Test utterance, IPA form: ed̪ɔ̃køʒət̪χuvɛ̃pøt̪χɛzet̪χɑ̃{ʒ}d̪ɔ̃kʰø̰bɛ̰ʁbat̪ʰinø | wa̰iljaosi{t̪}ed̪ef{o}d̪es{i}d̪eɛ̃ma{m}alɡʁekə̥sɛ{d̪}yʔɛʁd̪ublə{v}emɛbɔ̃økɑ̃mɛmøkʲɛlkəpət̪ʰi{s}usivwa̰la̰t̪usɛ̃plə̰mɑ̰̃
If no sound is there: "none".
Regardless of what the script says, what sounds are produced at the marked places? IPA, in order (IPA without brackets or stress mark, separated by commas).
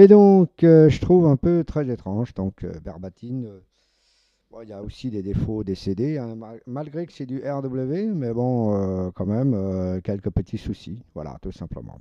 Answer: ʒ, d̪, o, e, m, d̪, v, s